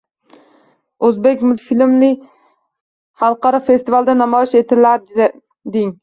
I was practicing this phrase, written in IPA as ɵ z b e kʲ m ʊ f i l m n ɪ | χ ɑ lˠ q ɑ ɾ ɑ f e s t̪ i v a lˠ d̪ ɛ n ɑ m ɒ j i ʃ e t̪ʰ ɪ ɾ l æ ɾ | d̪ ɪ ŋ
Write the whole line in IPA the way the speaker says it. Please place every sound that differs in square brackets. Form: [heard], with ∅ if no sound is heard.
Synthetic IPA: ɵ z b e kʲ m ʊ f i l m n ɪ | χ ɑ lˠ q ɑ ɾ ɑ f e s t̪ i v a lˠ d̪ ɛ n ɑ m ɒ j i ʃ e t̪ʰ ɪ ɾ l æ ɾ | d̪ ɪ ŋ